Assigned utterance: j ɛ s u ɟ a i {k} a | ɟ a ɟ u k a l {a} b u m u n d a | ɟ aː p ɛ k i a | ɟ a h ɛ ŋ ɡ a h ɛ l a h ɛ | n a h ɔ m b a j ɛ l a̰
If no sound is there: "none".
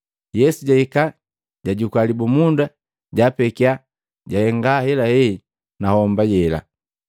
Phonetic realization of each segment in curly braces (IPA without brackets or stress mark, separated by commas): k, i